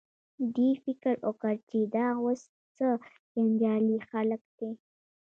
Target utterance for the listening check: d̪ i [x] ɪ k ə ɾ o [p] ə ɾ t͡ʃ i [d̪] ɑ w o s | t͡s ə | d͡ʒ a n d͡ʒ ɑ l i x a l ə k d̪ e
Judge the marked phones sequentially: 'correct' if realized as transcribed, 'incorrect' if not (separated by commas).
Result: incorrect, incorrect, correct